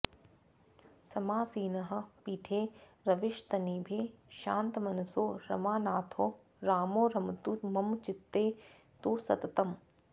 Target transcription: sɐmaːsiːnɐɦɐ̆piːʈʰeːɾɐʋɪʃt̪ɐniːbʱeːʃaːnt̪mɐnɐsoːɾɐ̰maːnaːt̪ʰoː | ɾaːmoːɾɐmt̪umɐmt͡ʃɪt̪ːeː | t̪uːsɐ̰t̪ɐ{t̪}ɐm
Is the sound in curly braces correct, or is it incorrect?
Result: correct